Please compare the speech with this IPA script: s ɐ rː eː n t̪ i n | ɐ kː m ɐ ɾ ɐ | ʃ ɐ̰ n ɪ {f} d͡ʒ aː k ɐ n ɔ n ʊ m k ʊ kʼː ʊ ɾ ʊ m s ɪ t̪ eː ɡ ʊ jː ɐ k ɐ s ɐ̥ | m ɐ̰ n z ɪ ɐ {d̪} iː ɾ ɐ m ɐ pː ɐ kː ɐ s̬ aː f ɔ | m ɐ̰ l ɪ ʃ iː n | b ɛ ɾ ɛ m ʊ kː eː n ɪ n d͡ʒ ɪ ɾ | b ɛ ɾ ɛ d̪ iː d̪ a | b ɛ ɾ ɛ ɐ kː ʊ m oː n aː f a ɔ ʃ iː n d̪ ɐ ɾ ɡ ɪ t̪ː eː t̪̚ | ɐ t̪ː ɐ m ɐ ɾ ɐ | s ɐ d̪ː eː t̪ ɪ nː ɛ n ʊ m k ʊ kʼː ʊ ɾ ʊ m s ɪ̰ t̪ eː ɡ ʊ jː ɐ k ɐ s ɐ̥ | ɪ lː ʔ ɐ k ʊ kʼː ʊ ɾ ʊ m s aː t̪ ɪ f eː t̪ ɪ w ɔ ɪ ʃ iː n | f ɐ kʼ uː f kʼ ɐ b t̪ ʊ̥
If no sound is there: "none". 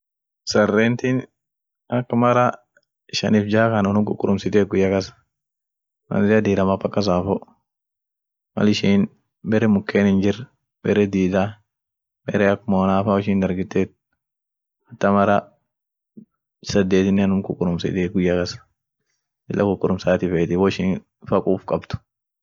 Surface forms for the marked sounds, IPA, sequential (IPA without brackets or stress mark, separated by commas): f, d̪